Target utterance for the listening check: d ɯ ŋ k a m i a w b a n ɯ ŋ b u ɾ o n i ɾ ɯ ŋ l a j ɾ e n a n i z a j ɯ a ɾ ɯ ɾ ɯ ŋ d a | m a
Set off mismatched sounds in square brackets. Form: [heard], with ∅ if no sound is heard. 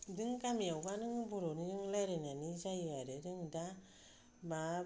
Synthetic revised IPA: d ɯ ŋ k a m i a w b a n ɯ ŋ b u ɾ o n i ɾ ɯ ŋ l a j ɾ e n a n i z a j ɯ a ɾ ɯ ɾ ɯ ŋ d a | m a